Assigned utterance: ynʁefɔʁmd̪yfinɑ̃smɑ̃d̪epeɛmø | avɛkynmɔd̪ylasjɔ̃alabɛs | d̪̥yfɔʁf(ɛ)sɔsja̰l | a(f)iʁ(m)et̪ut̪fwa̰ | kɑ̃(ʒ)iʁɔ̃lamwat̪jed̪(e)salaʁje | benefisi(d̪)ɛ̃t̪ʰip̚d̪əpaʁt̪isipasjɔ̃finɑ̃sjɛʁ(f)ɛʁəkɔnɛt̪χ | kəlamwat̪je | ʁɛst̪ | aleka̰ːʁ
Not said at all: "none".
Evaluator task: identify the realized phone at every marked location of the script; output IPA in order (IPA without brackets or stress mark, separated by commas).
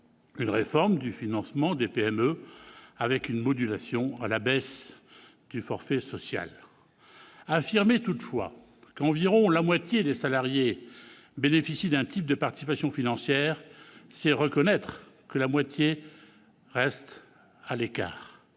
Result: ɛ, f, m, v, e, d̪, s